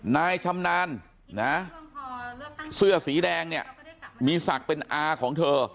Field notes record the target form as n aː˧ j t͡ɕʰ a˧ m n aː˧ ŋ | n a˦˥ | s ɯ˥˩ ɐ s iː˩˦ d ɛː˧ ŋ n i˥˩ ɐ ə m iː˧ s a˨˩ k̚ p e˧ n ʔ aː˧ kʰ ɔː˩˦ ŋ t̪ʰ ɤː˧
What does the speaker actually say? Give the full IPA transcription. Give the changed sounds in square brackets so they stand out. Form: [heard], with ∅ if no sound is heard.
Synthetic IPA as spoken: n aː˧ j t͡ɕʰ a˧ m n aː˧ [n] | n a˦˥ | s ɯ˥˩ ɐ s iː˩˦ d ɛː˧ ŋ n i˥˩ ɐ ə m iː˧ s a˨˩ k̚ p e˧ n ʔ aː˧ kʰ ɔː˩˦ ŋ t̪ʰ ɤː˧